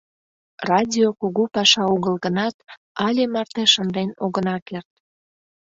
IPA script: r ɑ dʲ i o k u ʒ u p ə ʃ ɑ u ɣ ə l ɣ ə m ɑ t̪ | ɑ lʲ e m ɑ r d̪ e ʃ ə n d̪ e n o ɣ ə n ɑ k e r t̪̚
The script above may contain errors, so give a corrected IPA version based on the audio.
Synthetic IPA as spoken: r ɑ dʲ i o k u ɣ u p ɑ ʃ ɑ u ɣ ə l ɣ ə n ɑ t̪ | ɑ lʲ e m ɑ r t̪ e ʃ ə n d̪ e n o ɣ ə n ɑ k e r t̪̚